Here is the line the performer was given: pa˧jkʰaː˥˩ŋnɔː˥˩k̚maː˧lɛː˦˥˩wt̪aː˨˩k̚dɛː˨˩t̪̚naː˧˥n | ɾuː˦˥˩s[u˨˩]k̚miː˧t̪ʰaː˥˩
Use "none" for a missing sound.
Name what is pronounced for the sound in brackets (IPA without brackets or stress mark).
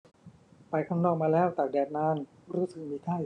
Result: ɯ˨˩